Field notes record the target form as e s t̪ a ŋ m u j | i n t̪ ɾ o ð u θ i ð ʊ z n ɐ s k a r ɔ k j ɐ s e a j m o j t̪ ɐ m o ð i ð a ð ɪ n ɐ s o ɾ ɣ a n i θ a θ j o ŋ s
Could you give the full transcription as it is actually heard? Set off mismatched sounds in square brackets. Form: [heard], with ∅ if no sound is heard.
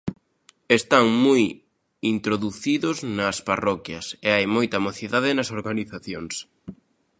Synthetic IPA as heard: e s t̪ a ŋ m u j | i n t̪ ɾ o ð u θ i ð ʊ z n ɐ s [p] a r ɔ k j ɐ s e a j m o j t̪ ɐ m o [θ] i ð a ð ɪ n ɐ s o ɾ ɣ a n i θ a θ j o ŋ s